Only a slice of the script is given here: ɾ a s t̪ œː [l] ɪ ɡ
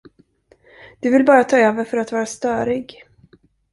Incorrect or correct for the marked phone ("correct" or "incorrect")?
incorrect